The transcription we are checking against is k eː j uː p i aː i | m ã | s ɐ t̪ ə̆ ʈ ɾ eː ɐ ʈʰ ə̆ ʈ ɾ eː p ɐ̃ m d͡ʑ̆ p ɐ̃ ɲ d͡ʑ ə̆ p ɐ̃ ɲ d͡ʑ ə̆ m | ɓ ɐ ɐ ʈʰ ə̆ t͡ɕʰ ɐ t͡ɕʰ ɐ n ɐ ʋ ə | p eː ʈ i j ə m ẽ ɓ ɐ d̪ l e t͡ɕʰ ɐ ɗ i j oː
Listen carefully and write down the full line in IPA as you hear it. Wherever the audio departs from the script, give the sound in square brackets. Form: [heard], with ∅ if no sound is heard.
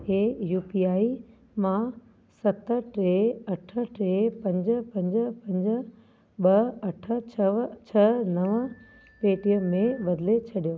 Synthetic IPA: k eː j uː p i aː i | m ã | s ɐ t̪ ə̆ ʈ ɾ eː ɐ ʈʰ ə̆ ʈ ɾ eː p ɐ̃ [ɲ] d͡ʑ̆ p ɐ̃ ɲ d͡ʑ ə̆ p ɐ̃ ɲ d͡ʑ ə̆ [∅] | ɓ ɐ ɐ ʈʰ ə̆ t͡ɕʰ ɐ t͡ɕʰ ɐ n ɐ ʋ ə | p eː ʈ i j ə m ẽ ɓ ɐ d̪ l e t͡ɕʰ ɐ ɗ i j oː